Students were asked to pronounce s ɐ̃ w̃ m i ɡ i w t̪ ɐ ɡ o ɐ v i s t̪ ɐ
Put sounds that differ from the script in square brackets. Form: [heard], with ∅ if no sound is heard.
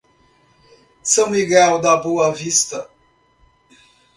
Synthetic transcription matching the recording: s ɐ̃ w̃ m i ɡ [ɛ] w [d̪] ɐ [b] o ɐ v i s t̪ ɐ

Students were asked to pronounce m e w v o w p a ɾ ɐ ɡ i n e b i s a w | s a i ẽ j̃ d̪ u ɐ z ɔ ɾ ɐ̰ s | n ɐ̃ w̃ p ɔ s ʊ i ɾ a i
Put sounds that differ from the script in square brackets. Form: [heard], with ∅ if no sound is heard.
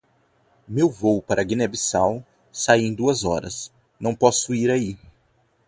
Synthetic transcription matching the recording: m e w v o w p a ɾ ɐ ɡ i n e b i s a w | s a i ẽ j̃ d̪ u ɐ z ɔ ɾ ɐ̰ s | n ɐ̃ w̃ p ɔ s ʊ i ɾ a i

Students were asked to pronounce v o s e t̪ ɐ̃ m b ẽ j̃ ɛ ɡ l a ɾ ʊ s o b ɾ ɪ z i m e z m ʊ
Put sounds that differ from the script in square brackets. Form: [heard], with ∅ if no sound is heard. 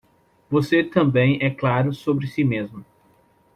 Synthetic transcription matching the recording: v o s e t̪ ɐ̃ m b ẽ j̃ ɛ [k] l a ɾ ʊ s o b ɾ ɪ [s] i m e z m ʊ

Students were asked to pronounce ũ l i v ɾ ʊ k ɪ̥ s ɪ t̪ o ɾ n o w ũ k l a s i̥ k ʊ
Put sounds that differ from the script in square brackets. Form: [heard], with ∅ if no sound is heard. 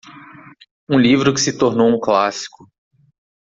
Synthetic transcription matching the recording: ũ l i v ɾ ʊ k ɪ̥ s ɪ t̪ o ɾ n o w ũ k l a s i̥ k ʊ

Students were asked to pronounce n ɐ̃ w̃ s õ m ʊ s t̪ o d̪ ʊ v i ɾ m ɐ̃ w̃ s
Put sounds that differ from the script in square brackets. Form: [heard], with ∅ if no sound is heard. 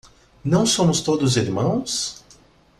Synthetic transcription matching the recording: n ɐ̃ w̃ s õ m ʊ s t̪ o d̪ ʊ [z] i ɾ m ɐ̃ w̃ s

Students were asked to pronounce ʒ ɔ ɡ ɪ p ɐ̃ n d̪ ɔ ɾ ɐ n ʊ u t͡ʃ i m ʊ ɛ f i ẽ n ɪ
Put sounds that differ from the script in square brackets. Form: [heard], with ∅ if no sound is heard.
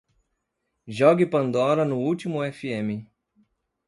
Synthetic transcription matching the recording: ʒ ɔ ɡ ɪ p ɐ̃ n d̪ ɔ ɾ ɐ n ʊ u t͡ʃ i m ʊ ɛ f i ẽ [m] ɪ

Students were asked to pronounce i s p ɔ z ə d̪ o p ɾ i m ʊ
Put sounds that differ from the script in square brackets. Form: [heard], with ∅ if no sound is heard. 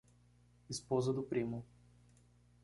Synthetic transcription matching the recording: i s p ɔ z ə d̪ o p ɾ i m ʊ

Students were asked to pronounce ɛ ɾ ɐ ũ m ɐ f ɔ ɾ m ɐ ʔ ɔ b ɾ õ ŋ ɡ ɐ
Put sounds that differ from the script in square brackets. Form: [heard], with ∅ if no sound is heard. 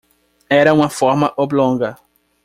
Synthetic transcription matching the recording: ɛ ɾ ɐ ũ m ɐ f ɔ ɾ m ɐ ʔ [o] b [l] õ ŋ ɡ ɐ

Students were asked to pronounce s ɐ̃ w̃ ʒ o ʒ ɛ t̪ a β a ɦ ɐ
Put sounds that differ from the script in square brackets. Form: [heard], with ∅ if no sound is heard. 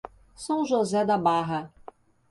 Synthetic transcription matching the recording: s ɐ̃ w̃ ʒ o [z] ɛ [d̪] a [b] a ɦ ɐ

